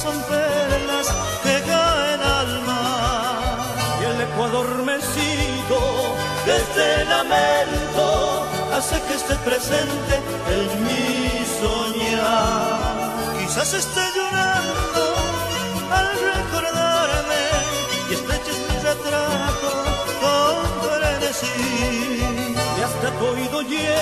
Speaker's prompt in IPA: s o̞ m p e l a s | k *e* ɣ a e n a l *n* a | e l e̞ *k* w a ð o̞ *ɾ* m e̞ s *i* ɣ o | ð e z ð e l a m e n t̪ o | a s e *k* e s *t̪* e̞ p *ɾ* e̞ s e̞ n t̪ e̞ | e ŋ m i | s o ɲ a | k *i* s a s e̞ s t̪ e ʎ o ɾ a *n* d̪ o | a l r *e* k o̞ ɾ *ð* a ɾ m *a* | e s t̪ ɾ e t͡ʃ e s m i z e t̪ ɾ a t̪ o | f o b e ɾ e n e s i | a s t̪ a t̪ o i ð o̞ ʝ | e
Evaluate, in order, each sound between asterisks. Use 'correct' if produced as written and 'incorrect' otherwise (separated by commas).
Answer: correct, incorrect, correct, correct, correct, correct, correct, correct, correct, correct, correct, correct, incorrect